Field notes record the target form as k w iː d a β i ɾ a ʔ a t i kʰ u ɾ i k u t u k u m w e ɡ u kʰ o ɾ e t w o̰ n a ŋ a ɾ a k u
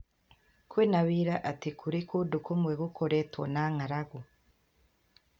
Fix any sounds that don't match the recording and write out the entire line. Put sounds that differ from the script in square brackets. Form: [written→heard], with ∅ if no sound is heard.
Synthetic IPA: k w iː [d→n] a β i ɾ a ʔ a t i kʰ u ɾ i k u [t→d] u k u m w e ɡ u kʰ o ɾ e t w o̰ n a ŋ a ɾ a [k→ɡ] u